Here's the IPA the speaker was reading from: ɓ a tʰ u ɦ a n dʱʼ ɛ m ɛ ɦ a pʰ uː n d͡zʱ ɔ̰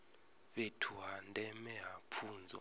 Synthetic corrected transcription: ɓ e tʰ u ɦ a n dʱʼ ɛ m ɛ ɦ a pʰ uː n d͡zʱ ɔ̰